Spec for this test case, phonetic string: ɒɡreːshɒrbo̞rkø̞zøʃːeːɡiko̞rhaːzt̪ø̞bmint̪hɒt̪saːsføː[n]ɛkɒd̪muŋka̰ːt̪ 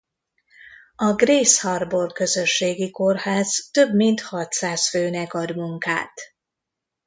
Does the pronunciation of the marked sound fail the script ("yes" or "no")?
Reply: no